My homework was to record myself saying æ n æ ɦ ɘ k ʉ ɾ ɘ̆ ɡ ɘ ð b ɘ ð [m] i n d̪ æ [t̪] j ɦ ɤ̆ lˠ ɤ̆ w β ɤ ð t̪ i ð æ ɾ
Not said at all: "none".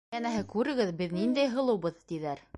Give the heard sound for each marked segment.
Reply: n, none

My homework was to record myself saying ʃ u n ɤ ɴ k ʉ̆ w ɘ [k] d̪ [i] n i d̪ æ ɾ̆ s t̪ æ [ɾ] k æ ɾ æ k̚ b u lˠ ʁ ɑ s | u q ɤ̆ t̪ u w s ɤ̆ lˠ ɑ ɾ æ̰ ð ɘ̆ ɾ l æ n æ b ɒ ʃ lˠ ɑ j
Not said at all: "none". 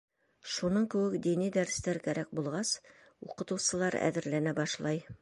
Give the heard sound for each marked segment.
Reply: k, i, ɾ

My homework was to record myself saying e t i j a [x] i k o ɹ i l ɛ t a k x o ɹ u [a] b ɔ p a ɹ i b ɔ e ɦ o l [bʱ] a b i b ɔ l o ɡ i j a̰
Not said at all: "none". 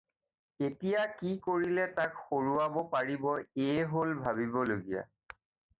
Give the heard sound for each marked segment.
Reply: k, a, bʱ

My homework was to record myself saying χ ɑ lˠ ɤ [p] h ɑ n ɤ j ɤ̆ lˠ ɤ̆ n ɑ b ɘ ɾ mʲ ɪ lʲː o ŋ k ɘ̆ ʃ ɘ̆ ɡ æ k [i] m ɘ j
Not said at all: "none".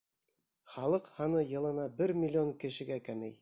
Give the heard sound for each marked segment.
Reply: q, æ

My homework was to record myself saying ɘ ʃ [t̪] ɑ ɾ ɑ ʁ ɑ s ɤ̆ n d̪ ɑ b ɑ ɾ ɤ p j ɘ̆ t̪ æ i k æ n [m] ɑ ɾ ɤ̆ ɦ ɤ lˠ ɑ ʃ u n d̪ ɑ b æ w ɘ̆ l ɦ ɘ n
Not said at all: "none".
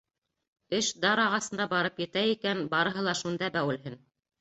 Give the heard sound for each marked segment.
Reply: d̪, b

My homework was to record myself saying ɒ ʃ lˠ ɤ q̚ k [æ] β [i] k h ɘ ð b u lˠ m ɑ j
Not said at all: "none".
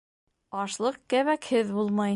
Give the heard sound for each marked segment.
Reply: æ, æ

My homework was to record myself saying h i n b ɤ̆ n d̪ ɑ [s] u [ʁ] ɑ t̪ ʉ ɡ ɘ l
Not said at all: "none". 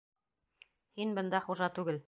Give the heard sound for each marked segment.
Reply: χ, ʒ

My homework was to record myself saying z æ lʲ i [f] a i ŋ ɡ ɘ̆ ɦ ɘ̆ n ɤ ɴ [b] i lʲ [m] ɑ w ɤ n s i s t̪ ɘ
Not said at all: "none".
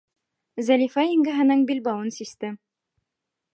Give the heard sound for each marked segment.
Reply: f, b, b

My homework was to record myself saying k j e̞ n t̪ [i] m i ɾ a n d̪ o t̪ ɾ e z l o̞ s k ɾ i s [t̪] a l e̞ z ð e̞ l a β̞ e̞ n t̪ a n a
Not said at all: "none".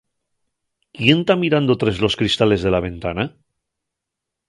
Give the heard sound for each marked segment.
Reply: a, t̪

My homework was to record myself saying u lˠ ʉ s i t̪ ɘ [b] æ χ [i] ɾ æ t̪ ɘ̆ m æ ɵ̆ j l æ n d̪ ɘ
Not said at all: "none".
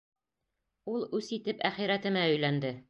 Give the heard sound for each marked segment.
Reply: p, i

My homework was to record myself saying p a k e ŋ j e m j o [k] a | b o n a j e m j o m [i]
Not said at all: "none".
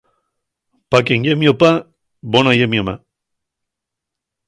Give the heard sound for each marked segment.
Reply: p, a

